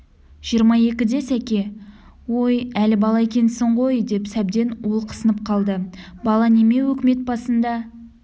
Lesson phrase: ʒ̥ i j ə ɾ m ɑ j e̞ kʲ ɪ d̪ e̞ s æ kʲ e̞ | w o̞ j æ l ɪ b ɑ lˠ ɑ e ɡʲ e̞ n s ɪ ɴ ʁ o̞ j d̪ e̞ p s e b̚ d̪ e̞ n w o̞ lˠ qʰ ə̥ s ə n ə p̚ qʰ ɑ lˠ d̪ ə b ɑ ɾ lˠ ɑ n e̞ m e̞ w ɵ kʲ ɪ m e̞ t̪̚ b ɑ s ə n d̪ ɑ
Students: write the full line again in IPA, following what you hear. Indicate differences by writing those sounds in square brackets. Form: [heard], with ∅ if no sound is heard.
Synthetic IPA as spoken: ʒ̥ i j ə ɾ m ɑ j e̞ kʲ ɪ d̪ e̞ s æ kʲ e̞ | w o̞ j æ l ɪ b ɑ lˠ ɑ e [kʲ] e̞ n s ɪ ɴ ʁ o̞ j d̪ e̞ p s [æ] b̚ d̪ e̞ n w o̞ lˠ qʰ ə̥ s ə n ə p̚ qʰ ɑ lˠ d̪ ə b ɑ [∅] lˠ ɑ n e̞ m e̞ w ɵ kʲ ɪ m e̞ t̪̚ b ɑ s ə n d̪ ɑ